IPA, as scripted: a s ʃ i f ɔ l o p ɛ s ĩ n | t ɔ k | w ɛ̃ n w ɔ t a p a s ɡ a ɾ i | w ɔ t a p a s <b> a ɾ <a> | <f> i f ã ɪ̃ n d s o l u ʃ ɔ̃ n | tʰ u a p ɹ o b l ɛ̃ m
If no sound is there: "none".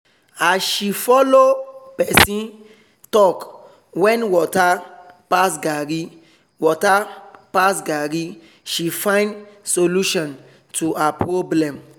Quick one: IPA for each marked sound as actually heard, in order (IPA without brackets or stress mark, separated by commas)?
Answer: ɡ, i, ʃ